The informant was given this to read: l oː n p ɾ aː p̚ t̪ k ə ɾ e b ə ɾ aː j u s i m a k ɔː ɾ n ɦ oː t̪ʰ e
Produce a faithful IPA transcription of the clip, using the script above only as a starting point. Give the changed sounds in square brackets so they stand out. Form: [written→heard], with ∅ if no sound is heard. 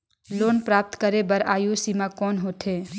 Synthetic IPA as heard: l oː n p ɾ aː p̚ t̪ k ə ɾ e b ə ɾ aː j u s i m a k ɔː [ɾ→∅] n ɦ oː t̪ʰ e